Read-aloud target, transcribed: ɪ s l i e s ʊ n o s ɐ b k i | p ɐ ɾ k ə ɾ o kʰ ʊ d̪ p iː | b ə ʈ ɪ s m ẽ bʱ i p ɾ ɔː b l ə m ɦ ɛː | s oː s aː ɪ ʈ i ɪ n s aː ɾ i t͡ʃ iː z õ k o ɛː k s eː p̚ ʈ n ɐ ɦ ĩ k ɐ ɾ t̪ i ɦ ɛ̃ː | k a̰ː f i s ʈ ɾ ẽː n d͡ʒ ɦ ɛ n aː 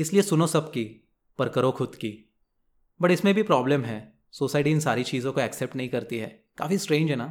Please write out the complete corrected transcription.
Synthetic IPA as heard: ɪ s l i e s ʊ n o s ɐ b k i | p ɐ ɾ k ə ɾ o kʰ ʊ d̪ k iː | b ɐ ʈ ɪ s m ẽ bʱ i p ɾ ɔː b l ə m ɦ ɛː | s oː s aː ɪ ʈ i ɪ n s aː ɾ i t͡ʃ iː z õ k o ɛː k s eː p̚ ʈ n ɐ ɦ ĩ k ɐ ɾ t̪ i ɦ ɛː | k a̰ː f i s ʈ ɾ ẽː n d͡ʒ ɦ ɛ n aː